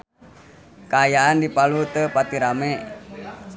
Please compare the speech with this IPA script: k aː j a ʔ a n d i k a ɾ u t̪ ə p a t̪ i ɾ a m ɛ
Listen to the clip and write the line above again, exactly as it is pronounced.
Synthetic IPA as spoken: k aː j a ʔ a n d i p a l u t̪ ə p a t̪ i ɾ a m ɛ

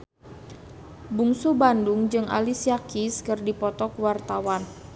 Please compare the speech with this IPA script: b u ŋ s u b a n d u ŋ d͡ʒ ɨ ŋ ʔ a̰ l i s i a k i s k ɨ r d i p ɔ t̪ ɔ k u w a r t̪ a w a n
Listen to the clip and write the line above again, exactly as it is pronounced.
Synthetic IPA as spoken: b u ŋ s u b a n d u ŋ d͡ʒ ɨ ŋ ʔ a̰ l i s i a k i s k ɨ r d i p ɔ t̪ ɔ k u w a r t̪ a w a n

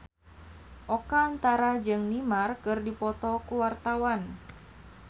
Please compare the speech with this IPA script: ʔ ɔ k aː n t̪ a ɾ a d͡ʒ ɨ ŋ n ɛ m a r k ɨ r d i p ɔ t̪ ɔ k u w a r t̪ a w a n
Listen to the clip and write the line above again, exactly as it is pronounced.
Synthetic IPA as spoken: ʔ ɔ k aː n t̪ a ɾ a d͡ʒ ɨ ŋ n i m a r k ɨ r d i p ɔ t̪ ɔ k u w a r t̪ a w a n

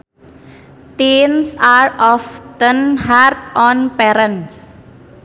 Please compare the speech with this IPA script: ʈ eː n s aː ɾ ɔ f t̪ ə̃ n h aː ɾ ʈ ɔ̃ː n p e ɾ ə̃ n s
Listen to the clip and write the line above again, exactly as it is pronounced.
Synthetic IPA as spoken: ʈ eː n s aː ɾ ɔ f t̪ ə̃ n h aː ɾ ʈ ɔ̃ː n p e ɾ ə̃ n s

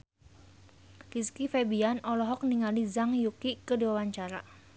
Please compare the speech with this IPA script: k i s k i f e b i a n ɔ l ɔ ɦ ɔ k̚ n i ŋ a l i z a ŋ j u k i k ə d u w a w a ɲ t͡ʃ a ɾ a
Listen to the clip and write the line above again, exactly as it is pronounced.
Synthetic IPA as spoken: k i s k i f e b i a n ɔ l ɔ ɦ ɔ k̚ n i ŋ a l i z a ŋ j u k i k ə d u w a w a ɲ t͡ʃ a ɾ a

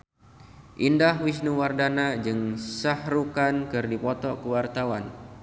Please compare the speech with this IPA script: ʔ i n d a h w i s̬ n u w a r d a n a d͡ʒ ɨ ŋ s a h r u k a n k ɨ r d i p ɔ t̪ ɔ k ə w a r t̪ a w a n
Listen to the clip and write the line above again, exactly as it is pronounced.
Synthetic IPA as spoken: ʔ i n d a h w i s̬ n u w a r d a n a d͡ʒ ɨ ŋ s a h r u k a n k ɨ r d i p ɔ t̪ ɔ k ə w a r t̪ a w a n

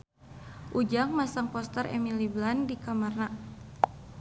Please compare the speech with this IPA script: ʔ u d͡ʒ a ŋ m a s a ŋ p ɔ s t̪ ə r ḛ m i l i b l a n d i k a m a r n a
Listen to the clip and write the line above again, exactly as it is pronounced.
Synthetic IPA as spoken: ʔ u d͡ʒ a ŋ m a s a ŋ p ɔ s t̪ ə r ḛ m i l i b l a n d i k a m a r n a

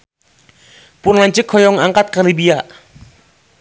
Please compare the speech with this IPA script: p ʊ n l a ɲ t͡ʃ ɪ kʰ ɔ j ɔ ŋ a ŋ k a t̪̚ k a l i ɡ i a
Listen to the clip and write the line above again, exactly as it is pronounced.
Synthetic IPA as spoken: p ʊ n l a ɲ t͡ʃ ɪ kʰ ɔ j ɔ ŋ a ŋ k a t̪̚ k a l i b i a

